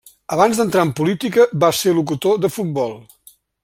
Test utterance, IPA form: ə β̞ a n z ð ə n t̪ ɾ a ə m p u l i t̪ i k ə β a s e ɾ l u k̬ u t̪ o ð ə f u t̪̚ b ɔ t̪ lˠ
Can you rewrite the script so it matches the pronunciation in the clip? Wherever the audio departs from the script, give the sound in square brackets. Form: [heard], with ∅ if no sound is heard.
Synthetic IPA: ə β̞ a n z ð ə n t̪ ɾ a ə m p u l i t̪ i k ə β a s e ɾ l u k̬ u t̪ o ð ə f u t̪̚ b ɔ [∅] lˠ